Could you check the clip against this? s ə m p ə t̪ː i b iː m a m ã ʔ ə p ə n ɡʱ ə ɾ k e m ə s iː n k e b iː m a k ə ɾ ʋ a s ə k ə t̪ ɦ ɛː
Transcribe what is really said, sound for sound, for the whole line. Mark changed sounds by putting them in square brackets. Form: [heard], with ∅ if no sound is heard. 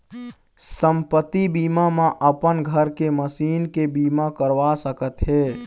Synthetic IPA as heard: s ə m p ə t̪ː i b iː m a m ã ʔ ə p ə n ɡʱ ə ɾ k e m ə s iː n k e b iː m a k ə ɾ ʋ a s ə k ə t̪ ɦ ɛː